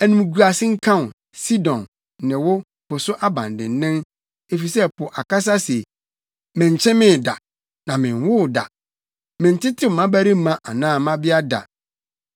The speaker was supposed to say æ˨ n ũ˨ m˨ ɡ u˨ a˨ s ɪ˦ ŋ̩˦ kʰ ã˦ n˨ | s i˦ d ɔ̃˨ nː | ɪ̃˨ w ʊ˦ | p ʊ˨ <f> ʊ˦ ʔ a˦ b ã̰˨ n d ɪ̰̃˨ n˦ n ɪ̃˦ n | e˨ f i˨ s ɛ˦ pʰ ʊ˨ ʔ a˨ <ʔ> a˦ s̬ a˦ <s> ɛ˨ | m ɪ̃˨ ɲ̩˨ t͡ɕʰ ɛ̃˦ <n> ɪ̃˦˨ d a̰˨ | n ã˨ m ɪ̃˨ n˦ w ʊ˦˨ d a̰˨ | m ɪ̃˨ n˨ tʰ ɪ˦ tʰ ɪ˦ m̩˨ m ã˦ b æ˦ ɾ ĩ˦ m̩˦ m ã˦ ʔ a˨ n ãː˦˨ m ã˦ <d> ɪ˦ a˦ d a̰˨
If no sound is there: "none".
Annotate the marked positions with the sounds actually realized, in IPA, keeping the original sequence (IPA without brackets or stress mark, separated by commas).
s, k, s, m, b